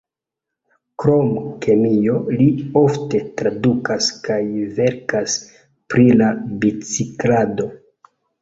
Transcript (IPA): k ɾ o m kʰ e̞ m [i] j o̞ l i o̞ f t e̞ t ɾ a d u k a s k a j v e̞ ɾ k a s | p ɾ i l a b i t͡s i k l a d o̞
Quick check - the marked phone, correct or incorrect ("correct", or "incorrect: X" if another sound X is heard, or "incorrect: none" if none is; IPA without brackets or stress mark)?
correct